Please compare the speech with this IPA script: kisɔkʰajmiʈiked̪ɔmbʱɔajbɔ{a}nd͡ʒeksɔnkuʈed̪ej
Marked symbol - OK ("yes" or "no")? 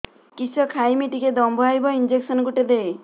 no